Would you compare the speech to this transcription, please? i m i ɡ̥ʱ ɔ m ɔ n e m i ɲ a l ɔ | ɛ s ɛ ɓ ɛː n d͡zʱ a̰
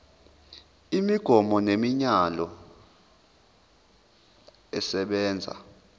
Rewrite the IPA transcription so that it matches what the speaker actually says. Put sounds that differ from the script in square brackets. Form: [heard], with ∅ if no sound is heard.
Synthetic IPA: i m i ɡ̥ʱ ɔ m ɔ n e m i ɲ a l ɔ | ɛ s ɛ ɓ ɛː n d͡zʱ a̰